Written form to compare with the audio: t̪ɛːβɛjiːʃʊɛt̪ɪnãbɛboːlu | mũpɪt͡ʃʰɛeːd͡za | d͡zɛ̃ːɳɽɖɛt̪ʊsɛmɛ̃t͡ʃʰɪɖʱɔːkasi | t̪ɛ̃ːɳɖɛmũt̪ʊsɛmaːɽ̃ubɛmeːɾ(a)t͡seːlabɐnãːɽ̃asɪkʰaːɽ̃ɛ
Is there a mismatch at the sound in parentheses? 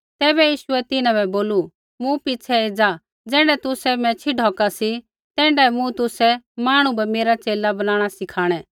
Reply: no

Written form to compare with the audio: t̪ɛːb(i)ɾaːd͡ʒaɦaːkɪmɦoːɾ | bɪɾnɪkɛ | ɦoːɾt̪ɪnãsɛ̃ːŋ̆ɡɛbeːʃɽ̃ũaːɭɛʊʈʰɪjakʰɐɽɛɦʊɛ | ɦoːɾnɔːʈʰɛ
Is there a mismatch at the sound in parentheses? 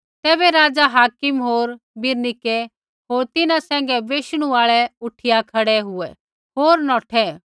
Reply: yes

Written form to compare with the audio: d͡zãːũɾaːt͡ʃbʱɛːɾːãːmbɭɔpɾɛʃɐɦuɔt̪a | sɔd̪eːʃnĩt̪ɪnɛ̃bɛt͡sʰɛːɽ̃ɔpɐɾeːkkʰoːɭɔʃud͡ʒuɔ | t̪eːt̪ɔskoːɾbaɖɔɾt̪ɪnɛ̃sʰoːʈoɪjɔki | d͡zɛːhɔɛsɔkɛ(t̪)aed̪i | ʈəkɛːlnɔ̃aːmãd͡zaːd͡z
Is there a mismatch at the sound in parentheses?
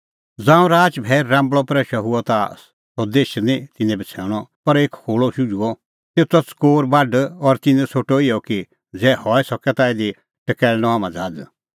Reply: no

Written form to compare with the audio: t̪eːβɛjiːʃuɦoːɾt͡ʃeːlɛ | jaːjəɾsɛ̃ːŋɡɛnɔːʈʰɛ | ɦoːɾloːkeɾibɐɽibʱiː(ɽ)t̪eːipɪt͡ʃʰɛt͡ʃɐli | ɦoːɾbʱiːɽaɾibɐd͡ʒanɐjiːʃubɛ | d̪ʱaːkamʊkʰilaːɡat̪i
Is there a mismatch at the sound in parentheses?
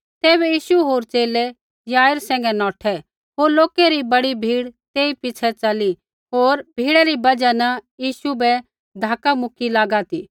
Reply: no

